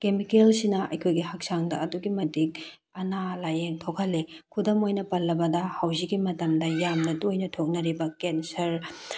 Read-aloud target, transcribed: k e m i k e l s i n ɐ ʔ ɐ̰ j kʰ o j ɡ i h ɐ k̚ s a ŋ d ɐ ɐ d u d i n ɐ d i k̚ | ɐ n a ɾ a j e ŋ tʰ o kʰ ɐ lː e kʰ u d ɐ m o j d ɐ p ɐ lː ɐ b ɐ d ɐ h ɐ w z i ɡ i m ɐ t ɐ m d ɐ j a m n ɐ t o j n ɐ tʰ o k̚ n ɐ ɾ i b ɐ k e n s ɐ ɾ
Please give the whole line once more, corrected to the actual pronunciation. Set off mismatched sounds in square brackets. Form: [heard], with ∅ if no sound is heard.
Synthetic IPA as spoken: k e m i k e l s i n ɐ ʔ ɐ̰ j kʰ o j ɡ i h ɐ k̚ s a ŋ d ɐ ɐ d u [ɡ] i [m] ɐ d i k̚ | ɐ n a [l] a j e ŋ tʰ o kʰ ɐ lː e kʰ u d ɐ m o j [n] ɐ p ɐ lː ɐ b ɐ d ɐ h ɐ w z i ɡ i m ɐ t ɐ m d ɐ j a m n ɐ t o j n ɐ tʰ o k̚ n ɐ ɾ i b ɐ k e n s ɐ ɾ